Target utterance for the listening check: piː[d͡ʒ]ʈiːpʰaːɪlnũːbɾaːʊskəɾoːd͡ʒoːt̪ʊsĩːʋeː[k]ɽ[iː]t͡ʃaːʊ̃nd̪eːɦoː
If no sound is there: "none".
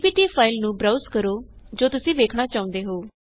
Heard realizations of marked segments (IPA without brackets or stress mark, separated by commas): none, kʰ, aː